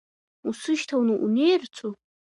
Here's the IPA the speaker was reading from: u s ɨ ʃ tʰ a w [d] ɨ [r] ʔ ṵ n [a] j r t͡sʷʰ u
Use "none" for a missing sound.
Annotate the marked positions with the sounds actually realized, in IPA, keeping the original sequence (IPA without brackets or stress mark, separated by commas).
n, none, e